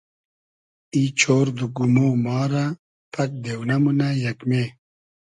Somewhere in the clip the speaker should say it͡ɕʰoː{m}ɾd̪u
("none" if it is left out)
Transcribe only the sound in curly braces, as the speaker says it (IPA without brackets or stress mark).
none